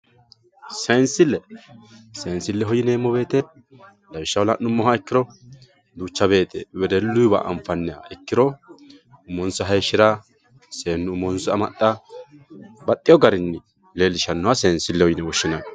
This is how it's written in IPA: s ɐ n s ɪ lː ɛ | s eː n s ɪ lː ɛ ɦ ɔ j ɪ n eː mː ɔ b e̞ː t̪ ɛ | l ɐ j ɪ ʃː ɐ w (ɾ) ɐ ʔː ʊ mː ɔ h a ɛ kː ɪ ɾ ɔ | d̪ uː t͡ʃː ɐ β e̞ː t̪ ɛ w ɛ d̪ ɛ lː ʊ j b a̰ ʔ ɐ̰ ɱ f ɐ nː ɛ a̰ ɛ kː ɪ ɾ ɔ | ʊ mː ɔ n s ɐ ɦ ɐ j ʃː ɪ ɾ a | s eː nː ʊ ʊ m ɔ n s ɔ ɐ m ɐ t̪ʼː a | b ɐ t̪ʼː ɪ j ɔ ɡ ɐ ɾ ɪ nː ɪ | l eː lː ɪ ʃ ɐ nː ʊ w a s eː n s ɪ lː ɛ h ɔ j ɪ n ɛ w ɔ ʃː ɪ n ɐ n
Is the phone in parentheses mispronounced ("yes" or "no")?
yes